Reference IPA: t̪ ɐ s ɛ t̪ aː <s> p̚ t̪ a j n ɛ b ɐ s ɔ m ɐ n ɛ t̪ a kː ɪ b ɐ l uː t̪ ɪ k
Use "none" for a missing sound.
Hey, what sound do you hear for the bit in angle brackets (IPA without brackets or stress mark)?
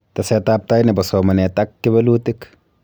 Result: none